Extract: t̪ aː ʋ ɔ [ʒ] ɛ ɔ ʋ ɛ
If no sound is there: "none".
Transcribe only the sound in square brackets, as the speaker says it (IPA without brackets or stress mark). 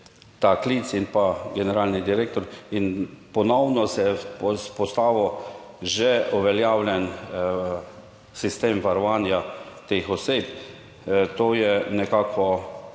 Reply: ʒ